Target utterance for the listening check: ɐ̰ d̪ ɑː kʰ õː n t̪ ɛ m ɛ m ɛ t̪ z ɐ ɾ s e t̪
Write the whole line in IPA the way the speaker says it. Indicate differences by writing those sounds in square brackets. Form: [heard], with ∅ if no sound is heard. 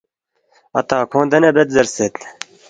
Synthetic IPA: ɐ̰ [t̪] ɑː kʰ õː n [d̪] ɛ [n] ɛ [b] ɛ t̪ z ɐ ɾ s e t̪